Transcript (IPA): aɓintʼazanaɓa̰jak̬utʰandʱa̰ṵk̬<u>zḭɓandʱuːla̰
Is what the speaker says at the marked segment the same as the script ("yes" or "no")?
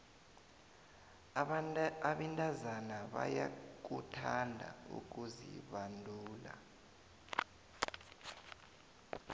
yes